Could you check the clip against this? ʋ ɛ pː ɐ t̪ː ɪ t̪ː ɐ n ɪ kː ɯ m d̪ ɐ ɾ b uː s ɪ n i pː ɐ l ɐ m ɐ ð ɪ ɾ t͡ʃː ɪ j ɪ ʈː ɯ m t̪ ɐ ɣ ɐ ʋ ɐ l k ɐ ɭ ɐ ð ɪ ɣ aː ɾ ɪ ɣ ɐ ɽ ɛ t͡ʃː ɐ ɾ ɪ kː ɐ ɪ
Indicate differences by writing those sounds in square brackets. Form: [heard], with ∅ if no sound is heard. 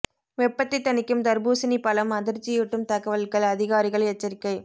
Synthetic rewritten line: ʋ ɛ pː ɐ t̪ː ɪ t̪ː ɐ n ɪ kː ɯ m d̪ ɐ ɾ b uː s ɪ n i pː ɐ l ɐ m ɐ ð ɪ ɾ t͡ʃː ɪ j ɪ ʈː ɯ m t̪ ɐ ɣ ɐ ʋ ɐ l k ɐ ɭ ɐ ð ɪ ɣ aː ɾ ɪ ɣ ɐ [ɭ] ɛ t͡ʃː ɐ ɾ ɪ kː ɐ ɪ